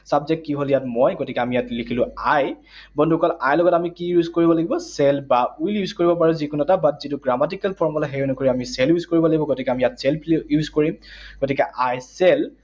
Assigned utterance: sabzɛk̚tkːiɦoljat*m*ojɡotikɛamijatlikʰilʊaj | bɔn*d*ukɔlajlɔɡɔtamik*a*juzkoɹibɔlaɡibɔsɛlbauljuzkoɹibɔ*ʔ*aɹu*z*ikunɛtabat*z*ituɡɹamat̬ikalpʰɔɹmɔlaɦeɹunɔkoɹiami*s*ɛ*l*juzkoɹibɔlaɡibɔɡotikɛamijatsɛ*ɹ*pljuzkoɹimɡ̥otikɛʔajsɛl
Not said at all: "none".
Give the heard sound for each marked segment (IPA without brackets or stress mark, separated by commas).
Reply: m, d, i, p, z, z, s, l, l